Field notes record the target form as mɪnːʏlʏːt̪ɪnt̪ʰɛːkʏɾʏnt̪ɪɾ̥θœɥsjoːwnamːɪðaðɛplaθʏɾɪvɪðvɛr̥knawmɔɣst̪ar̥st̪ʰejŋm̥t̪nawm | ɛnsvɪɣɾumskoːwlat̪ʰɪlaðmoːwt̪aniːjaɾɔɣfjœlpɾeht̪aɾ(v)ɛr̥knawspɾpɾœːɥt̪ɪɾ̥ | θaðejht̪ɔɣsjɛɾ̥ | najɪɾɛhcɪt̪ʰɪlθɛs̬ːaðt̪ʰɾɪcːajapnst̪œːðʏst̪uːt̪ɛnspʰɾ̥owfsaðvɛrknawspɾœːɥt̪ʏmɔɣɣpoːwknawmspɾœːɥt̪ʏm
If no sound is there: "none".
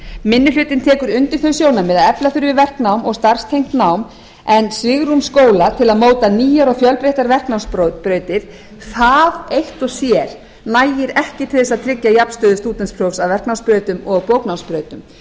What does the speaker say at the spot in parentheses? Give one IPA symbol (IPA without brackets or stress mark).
v